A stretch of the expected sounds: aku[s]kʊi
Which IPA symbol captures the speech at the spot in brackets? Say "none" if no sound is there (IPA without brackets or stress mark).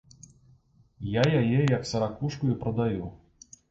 ʂ